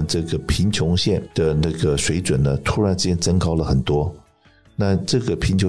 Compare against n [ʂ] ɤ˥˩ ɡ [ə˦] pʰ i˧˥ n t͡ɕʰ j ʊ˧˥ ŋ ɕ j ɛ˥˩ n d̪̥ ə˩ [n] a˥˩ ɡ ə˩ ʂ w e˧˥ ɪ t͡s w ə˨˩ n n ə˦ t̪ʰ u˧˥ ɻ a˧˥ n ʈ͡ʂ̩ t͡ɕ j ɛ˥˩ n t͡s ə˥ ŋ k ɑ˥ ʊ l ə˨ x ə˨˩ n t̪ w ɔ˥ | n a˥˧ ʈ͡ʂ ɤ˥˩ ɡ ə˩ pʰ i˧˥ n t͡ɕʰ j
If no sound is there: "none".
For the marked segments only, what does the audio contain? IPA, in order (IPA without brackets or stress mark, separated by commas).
ʈ͡ʂ, ə˩, n